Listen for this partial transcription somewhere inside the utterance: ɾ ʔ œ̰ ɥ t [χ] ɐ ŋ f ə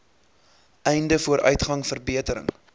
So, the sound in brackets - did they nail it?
yes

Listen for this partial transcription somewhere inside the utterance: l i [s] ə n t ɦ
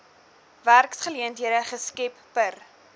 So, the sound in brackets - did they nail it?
no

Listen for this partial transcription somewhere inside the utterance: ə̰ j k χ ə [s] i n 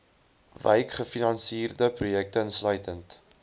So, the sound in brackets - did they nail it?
no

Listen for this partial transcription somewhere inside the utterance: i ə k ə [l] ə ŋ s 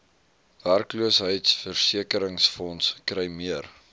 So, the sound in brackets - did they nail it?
no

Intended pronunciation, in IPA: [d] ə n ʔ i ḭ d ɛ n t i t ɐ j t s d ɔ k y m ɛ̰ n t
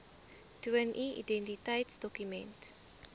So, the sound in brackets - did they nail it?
no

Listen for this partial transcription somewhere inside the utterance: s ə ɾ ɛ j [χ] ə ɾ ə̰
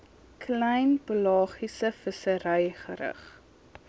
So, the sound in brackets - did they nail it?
yes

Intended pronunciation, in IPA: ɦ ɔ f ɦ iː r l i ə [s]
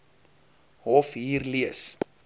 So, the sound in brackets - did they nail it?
yes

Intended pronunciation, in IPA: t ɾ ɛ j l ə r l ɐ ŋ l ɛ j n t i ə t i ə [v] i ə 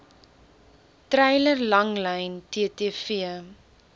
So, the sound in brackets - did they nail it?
no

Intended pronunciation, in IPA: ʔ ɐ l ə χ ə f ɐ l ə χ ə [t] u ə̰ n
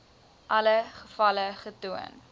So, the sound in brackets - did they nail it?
yes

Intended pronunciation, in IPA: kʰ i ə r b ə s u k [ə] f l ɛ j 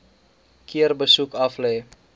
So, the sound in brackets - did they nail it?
no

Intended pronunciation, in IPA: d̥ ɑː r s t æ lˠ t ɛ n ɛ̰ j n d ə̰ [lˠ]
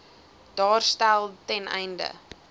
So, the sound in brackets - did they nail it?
no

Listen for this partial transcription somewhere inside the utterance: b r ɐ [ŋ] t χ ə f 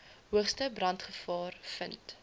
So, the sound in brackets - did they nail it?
no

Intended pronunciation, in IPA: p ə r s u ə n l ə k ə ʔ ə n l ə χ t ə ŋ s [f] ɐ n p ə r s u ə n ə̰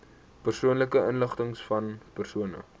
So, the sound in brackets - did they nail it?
yes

